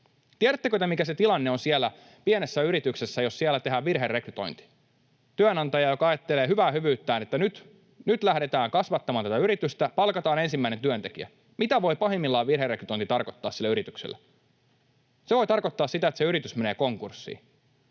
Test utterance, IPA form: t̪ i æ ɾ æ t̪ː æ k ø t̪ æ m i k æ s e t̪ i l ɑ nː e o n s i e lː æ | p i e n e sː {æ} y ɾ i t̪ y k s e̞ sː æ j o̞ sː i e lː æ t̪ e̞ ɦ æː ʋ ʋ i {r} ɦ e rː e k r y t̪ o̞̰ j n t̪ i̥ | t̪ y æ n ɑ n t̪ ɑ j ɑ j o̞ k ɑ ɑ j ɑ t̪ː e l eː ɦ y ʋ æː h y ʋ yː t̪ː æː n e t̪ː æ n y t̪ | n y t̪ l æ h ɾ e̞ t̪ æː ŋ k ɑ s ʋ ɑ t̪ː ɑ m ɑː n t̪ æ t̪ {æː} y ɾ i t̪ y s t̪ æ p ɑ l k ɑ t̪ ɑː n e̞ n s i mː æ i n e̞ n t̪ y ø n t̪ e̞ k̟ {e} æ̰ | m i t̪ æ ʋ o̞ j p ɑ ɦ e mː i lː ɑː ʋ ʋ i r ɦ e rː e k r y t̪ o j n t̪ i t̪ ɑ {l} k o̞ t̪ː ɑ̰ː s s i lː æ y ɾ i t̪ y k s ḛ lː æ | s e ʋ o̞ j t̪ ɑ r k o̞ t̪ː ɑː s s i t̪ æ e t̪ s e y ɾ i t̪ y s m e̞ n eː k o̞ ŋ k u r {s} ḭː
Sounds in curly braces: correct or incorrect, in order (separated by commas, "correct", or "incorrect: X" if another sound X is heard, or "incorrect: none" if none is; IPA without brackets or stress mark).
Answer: correct, correct, incorrect: æ, incorrect: i, incorrect: r, incorrect: sː